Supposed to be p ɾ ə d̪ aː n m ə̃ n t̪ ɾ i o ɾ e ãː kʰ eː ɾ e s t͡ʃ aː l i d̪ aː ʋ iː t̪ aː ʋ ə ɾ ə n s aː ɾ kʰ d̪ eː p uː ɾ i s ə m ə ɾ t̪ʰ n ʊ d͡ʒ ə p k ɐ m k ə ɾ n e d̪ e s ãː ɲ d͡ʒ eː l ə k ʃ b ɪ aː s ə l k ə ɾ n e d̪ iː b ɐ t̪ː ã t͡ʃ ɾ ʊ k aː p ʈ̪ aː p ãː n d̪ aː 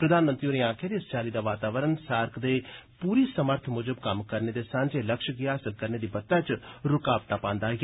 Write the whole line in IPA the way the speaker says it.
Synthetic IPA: p ɾ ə d̪ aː n m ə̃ n t̪ ɾ i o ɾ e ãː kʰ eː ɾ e s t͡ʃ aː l i d̪ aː ʋ aː t̪ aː ʋ ə ɾ ə n s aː ɾ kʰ d̪ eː p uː ɾ i s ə m ə ɾ t̪ʰ m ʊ d͡ʒ ə b k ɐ m k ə ɾ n e d̪ e s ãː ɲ d͡ʒ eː l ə k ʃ ɡ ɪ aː s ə l k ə ɾ n e d̪ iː b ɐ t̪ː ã t͡ʃ ɾ ʊ k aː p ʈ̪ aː p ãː n d̪ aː